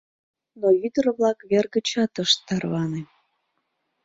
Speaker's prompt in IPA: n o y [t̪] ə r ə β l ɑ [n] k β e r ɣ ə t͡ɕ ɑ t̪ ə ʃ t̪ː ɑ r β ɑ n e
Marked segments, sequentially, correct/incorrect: incorrect: d̪, incorrect: none

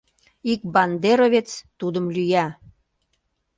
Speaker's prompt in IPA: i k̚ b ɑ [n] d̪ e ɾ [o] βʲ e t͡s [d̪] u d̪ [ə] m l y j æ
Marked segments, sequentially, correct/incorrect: correct, correct, incorrect: t̪, correct

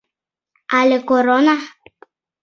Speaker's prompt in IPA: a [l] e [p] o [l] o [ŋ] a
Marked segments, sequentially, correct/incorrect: correct, incorrect: k, incorrect: ɾ, incorrect: n

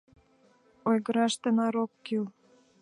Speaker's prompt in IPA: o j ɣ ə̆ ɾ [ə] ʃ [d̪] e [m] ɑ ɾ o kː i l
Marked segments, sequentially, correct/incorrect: incorrect: ɑ, incorrect: t̪, incorrect: n

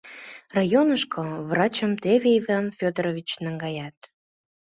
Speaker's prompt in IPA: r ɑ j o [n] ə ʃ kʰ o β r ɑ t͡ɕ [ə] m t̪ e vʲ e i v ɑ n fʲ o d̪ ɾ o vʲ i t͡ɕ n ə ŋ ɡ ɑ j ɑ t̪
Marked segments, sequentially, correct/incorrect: correct, correct

